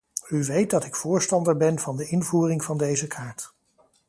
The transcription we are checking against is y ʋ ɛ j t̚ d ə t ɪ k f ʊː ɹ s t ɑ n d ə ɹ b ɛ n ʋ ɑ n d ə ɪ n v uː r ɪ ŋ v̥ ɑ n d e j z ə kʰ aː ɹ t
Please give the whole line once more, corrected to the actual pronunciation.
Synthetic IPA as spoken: y ʋ e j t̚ d ɑ t ɪ k f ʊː ɹ s t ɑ n d ə ɹ b ɛ n v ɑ n d ə ɪ n v uː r ɪ ŋ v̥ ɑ n d e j z ə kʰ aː ɹ t